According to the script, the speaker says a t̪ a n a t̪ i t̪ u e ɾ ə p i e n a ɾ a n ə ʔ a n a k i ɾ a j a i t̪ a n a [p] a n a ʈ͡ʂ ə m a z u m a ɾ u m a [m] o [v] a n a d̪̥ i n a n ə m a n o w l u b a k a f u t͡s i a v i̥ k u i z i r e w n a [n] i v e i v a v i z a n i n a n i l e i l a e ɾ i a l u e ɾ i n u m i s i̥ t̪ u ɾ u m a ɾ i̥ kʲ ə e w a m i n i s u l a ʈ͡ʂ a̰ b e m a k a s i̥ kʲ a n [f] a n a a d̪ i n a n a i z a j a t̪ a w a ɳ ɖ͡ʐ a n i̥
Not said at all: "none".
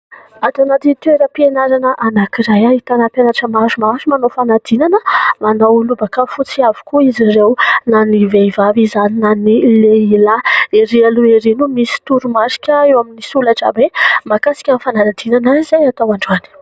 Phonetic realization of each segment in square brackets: p, n, f, n, f

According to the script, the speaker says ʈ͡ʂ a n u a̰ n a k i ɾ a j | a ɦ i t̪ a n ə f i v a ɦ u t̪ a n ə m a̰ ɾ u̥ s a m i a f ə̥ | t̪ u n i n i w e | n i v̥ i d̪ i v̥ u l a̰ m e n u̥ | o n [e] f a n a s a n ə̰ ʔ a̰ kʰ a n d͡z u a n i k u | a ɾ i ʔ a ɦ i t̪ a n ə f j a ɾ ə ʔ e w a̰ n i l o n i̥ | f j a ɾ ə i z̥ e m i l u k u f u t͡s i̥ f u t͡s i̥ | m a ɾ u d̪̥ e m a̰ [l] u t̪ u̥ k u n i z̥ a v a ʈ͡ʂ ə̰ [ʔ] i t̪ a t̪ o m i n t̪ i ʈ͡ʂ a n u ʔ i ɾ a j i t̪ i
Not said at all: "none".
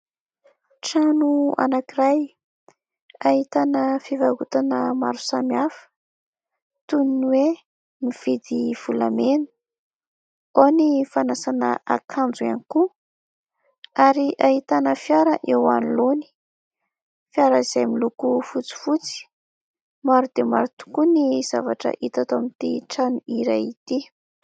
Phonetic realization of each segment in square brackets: i, ɾ, ʔ

